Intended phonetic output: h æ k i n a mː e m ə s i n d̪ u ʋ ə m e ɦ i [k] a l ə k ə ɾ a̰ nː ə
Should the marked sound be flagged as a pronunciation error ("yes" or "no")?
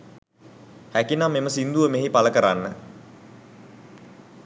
yes